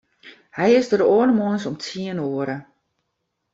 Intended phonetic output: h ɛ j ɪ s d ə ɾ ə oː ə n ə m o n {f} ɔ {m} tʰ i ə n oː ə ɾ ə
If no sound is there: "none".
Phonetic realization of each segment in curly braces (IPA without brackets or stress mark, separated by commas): s, m